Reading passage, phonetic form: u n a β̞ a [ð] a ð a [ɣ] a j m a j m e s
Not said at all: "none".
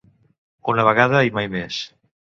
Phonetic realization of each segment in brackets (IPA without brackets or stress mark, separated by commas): ɣ, none